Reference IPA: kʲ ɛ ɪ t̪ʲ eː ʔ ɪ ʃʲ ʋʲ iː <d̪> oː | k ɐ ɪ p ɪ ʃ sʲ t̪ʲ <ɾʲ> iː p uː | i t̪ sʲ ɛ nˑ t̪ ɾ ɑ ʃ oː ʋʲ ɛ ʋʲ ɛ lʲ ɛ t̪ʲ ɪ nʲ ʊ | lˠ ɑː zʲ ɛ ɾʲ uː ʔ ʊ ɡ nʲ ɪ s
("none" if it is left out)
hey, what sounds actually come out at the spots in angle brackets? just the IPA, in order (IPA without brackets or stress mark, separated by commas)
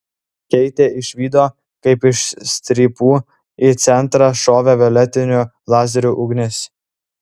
d̪, ɾʲ